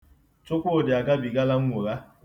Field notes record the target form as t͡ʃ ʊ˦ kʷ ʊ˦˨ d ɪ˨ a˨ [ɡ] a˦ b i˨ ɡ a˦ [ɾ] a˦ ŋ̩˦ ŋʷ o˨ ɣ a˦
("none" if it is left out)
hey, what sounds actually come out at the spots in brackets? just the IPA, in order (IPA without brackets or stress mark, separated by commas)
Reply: ɡ, l